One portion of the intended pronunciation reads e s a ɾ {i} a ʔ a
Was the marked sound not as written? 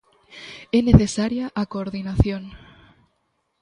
yes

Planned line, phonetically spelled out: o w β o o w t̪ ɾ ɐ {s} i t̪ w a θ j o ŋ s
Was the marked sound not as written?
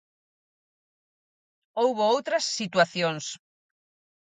yes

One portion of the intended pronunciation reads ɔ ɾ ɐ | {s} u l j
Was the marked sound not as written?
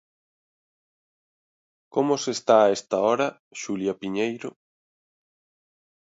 yes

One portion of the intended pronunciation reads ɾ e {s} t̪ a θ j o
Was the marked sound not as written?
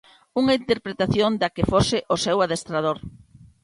yes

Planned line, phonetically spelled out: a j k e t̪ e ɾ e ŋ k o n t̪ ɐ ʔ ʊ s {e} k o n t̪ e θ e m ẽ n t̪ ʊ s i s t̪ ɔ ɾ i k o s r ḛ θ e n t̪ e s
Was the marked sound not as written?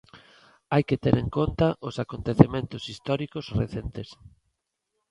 yes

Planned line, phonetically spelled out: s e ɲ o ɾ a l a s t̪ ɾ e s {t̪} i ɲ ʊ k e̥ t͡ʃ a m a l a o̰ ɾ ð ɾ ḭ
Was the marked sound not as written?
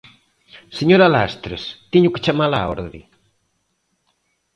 no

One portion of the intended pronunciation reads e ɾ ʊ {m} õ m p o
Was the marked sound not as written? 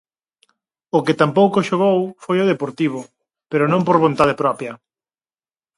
yes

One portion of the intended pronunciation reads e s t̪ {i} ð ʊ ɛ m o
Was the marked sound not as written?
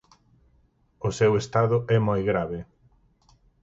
yes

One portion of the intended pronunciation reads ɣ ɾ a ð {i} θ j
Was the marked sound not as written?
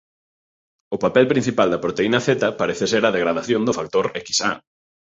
yes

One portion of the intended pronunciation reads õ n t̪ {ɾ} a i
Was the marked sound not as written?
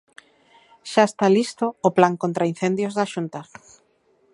no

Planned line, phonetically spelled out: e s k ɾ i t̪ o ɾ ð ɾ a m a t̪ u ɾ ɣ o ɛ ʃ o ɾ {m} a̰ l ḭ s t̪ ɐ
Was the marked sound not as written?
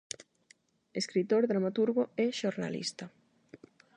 yes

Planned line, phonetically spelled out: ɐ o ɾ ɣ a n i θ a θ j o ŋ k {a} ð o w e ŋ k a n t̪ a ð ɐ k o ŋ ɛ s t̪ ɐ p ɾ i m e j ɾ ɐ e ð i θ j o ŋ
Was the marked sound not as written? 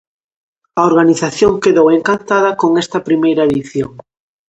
yes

